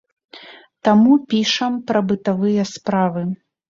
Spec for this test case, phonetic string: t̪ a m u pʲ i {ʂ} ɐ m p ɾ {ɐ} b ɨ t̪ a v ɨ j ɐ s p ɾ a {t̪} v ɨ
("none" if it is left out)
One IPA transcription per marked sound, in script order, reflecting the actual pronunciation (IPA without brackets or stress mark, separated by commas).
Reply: ʂ, ɐ, none